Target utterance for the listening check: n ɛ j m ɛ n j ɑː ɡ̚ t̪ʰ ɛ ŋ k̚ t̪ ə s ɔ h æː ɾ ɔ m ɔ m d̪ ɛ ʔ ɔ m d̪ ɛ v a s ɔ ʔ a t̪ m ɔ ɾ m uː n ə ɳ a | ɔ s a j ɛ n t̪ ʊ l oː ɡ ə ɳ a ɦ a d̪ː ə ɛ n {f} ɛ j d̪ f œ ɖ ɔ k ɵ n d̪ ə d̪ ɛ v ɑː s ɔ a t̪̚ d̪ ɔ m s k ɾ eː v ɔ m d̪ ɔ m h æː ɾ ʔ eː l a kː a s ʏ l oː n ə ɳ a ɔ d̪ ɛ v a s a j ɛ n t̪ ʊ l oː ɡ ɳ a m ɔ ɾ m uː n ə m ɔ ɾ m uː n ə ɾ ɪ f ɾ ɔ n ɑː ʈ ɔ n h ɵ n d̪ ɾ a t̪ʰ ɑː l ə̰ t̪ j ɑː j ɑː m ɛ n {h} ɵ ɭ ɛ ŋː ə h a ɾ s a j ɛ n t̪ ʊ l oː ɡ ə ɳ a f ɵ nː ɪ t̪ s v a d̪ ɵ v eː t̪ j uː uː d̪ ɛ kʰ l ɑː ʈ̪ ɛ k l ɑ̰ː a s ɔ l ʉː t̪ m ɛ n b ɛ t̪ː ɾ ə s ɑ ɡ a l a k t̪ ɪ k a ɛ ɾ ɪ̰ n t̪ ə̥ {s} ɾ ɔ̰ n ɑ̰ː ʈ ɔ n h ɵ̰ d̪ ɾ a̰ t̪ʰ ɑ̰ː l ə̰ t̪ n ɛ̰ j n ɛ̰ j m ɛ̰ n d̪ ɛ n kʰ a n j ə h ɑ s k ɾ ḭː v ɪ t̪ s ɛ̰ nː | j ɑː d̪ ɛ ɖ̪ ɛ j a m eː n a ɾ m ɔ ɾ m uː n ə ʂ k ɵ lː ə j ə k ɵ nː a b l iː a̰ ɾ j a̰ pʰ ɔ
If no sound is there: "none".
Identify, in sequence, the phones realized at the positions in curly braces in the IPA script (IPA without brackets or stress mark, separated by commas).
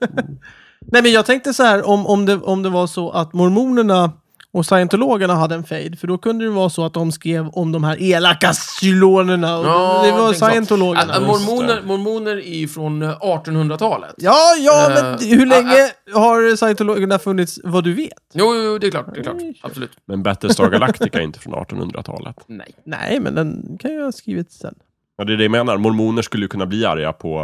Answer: f, h, f